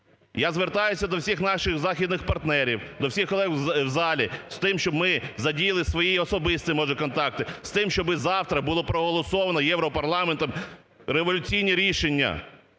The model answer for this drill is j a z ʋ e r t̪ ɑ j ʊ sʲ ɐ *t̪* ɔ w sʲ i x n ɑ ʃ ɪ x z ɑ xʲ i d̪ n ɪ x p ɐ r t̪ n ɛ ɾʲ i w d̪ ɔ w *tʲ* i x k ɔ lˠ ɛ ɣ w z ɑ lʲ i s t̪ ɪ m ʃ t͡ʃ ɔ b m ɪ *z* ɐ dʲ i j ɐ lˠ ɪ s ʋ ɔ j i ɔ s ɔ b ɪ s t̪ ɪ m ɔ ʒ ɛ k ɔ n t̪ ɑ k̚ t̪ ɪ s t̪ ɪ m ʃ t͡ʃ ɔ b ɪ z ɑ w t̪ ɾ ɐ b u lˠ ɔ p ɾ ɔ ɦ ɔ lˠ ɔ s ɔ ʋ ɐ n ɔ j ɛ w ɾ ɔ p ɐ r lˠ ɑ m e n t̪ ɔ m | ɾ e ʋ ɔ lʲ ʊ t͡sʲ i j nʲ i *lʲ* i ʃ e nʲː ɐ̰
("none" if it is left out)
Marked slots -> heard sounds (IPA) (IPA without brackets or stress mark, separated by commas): d̪, sʲ, z, ɾʲ